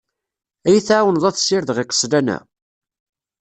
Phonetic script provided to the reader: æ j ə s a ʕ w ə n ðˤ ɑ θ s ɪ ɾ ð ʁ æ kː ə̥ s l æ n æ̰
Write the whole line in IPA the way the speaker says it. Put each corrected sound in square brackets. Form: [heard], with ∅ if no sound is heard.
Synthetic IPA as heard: æ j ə [θ] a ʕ w ə n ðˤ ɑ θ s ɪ ɾ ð ʁ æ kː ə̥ s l æ n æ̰